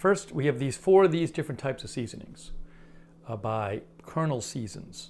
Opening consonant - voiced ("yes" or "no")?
no